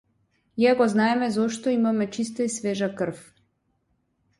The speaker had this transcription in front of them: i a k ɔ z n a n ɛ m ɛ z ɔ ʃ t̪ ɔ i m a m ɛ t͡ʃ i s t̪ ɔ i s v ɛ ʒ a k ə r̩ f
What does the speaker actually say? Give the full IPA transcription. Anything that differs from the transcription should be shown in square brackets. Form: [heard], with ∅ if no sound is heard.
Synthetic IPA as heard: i a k ɔ z n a [∅] ɛ m ɛ z ɔ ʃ t̪ ɔ i m a m ɛ t͡ʃ i s t̪ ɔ i s v ɛ ʒ a k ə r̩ f